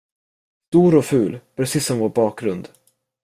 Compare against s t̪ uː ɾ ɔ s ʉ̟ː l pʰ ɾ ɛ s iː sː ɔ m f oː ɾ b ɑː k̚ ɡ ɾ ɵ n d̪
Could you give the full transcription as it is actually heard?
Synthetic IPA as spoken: s t̪ uː ɾ ɔ f ʉ̟ː l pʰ ɾ ɛ s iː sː ɔ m v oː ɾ b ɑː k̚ ɡ ɾ ɵ n d̪